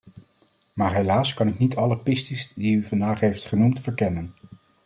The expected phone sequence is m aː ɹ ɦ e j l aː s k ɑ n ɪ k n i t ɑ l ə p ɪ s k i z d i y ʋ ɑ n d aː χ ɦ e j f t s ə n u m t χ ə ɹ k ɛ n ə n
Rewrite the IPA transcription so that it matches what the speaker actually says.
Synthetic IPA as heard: m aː ɹ ɦ e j l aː s k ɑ n ɪ k n i t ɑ l ə p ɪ s t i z d i y v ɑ n d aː χ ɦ e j f t χ ə n u m t f ə ɹ k ɛ n ə n